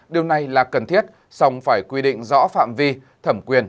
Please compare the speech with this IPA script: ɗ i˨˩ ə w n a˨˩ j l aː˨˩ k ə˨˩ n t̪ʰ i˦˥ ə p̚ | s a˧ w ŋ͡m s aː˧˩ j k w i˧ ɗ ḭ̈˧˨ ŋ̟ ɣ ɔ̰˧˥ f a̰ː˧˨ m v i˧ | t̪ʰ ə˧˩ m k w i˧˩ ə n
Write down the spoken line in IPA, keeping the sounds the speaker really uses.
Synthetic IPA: ɗ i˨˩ ə w n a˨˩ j l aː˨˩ k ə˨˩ n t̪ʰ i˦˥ ə t̚ | s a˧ w ŋ͡m f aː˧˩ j k w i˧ ɗ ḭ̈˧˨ ŋ̟ z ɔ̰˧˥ f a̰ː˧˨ m v i˧ | t̪ʰ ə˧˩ m k w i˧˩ ə n

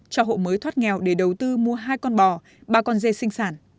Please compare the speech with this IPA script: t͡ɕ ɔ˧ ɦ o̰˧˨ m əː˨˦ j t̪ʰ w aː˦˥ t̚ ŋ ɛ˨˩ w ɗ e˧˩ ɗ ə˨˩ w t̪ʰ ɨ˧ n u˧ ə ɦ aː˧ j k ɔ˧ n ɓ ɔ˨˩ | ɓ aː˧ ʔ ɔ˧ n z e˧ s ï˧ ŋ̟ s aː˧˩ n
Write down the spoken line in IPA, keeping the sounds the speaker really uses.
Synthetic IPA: t͡ɕ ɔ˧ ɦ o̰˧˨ m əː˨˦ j t̪ʰ w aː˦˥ t̚ ŋ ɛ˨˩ w ɗ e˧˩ ɗ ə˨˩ w t̪ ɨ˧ m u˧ ə ɦ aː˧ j k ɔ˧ n ɓ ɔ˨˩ | ɓ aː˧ k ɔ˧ n z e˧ s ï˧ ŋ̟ s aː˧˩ n

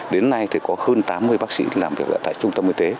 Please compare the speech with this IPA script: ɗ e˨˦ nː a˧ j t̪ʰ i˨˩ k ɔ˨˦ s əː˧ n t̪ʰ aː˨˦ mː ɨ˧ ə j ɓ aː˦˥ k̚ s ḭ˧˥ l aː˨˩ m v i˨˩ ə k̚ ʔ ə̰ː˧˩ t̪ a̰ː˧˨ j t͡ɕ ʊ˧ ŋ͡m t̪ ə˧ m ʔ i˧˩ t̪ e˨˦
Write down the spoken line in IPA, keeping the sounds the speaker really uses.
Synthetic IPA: ɗ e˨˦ nː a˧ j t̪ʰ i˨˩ k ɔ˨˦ h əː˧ n t̪ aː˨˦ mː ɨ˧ ə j ɓ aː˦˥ k̚ s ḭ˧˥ l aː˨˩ m v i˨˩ ə k̚ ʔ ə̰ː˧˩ t̪ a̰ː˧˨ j t͡ɕ ʊ˧ ŋ͡m t̪ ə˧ m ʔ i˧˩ t̪ e˨˦

